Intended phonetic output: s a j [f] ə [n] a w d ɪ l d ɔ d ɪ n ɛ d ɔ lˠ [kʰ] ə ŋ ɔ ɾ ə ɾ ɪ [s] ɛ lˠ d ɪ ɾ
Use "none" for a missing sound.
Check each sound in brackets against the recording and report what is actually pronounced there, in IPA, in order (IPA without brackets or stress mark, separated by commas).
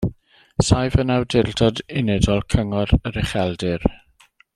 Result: v, n, kʰ, χ